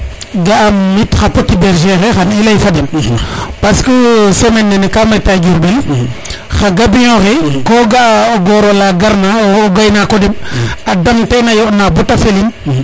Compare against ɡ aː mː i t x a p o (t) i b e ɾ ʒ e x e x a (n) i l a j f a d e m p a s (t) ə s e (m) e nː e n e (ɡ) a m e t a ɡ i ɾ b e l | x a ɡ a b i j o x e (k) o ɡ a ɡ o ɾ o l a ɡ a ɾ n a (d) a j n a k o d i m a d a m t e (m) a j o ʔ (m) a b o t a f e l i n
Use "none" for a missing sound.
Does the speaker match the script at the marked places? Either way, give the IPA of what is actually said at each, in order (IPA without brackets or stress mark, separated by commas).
t, n, k, m, k, k, ɡ, n, n